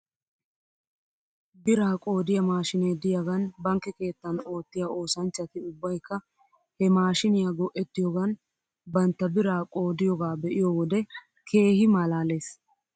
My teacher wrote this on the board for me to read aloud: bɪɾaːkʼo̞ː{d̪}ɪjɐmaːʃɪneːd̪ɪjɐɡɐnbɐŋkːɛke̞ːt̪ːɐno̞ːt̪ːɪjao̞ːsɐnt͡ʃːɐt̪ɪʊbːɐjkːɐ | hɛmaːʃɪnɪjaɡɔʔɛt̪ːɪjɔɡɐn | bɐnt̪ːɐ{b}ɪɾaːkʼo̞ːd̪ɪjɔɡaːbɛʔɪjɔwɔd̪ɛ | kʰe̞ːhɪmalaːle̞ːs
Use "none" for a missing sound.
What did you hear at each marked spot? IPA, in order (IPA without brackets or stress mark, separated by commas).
d̪, b